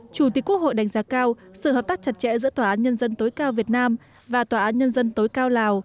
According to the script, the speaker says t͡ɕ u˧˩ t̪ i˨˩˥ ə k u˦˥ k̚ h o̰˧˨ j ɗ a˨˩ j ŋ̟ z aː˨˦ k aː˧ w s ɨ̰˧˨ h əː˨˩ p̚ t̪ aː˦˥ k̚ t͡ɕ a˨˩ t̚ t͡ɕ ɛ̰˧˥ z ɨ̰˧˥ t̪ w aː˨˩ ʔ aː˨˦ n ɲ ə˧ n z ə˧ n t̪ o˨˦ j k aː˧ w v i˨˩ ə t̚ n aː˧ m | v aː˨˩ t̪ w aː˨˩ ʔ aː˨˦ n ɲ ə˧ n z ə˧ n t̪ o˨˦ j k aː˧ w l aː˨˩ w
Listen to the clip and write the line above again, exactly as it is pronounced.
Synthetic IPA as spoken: t͡ɕ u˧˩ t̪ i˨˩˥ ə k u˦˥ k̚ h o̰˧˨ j ɗ a˨˩ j ŋ̟ z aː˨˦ k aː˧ w s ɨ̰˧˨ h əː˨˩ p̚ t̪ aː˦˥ k̚ t͡ɕ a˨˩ t̚ t͡ɕ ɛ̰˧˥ z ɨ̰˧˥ t̪ w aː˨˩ ʔ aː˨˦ n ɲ ə˧ n z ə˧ n t̪ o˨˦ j k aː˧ w v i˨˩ ə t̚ n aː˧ m | v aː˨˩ t̪ w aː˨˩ ʔ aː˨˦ n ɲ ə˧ n z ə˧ n t̪ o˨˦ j k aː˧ w l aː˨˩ w